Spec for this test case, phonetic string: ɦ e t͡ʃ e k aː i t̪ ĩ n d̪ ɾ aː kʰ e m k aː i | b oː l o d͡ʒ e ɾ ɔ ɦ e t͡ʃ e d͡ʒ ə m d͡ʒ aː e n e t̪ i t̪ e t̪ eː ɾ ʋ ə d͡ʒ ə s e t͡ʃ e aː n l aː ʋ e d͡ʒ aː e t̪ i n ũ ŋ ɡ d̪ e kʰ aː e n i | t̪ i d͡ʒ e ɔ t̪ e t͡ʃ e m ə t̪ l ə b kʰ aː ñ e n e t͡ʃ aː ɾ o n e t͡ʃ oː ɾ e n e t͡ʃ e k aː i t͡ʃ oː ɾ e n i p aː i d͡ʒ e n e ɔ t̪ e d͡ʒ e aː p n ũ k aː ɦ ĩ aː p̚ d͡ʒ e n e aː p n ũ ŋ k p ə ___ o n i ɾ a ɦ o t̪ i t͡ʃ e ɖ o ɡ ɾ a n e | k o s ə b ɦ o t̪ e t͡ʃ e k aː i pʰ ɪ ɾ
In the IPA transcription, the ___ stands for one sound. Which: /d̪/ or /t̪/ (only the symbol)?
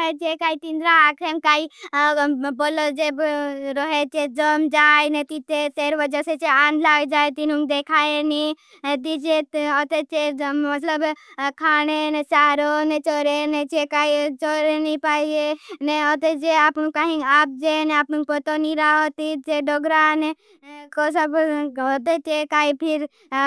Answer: t̪